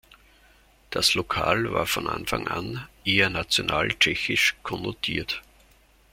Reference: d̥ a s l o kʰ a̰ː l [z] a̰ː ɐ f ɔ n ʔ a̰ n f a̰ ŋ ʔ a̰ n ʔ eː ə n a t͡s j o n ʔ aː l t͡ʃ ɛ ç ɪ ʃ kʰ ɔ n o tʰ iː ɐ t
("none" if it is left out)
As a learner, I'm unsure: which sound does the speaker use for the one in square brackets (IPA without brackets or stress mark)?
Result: v